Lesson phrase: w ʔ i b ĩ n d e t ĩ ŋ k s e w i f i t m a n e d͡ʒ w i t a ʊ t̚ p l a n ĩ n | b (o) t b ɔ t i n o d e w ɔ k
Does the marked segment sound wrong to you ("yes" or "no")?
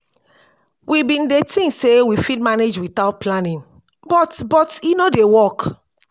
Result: yes